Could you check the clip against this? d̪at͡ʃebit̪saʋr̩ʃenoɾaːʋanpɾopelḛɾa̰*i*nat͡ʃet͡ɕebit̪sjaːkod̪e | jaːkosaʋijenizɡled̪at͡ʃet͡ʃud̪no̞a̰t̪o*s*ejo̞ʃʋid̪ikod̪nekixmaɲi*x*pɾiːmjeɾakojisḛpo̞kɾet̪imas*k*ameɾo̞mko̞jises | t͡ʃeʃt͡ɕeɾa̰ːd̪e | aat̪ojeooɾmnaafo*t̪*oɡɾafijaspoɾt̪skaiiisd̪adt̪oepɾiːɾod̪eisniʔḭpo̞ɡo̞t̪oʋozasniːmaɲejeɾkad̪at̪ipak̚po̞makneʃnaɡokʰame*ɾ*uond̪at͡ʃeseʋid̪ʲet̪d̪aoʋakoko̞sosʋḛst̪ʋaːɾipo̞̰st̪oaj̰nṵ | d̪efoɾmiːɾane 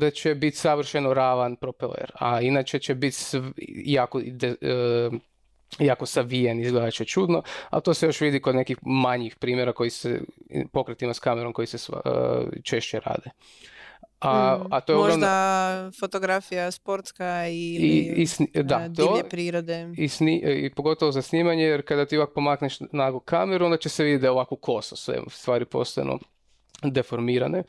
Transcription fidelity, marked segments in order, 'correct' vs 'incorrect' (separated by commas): correct, correct, correct, correct, correct, correct